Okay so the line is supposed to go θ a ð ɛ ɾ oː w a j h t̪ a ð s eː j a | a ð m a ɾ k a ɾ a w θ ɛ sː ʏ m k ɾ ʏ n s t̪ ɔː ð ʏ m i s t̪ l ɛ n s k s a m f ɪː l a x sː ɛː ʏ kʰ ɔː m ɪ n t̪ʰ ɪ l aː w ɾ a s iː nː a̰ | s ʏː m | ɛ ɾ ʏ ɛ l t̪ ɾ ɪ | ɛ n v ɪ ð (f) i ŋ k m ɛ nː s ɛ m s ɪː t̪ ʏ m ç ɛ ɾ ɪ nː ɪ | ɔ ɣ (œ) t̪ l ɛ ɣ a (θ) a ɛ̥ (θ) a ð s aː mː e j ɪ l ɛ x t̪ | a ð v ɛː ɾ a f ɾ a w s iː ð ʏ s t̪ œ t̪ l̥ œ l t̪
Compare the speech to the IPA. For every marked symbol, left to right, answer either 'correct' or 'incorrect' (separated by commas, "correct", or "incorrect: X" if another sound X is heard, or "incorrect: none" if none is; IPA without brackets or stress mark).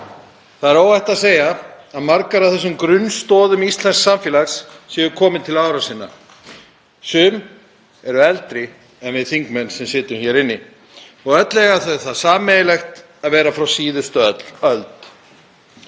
incorrect: θ, correct, correct, correct